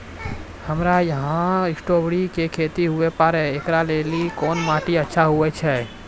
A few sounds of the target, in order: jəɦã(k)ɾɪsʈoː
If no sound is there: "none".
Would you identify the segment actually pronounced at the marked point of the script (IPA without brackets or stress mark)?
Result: none